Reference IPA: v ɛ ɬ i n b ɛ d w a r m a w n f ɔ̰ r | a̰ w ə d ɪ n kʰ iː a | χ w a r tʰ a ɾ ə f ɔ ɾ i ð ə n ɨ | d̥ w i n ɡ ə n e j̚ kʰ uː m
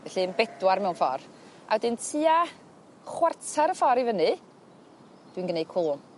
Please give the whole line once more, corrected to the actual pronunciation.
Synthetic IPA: v ɛ ɬ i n b ɛ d w a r m ɛ w n f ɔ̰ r | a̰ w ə d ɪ n tʰ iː a | χ w a r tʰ a ɾ ə f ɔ ɾ i v ə n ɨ | d̥ w i n ɡ ə n e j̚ kʰ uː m